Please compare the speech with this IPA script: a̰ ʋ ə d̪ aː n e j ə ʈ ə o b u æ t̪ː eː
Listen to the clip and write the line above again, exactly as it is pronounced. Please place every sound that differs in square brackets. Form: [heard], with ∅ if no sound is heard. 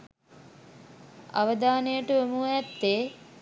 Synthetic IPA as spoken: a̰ ʋ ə d̪ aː n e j ə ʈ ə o [m] u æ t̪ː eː